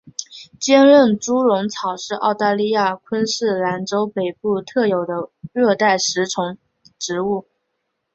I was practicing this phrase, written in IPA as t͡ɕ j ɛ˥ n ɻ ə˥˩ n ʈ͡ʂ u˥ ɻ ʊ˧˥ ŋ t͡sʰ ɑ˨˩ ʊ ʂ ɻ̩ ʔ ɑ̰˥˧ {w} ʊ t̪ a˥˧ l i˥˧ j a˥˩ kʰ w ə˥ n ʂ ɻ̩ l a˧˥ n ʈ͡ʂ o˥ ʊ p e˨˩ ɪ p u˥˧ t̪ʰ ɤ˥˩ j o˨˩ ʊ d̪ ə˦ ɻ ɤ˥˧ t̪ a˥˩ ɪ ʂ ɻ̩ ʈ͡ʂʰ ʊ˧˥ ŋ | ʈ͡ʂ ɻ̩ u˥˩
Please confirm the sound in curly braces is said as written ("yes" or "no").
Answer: no